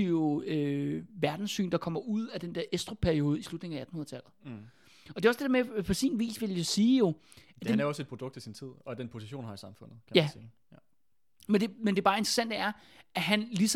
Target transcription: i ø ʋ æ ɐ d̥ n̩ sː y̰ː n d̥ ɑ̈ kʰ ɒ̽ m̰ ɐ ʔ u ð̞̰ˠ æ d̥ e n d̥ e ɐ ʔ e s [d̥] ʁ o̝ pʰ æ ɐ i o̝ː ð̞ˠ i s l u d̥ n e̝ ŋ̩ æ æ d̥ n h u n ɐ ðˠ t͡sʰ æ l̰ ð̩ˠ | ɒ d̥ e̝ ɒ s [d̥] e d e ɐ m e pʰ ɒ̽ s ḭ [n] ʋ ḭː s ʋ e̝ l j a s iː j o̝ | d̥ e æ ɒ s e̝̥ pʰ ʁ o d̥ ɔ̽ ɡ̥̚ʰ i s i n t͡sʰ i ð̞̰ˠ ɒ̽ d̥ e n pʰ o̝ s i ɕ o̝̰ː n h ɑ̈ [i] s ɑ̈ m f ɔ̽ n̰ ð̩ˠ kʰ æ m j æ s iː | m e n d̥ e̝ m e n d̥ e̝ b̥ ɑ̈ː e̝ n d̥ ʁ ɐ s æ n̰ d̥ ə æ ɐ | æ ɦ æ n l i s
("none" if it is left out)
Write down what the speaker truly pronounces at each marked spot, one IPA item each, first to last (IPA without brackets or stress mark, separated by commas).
d̥, d̥, n, i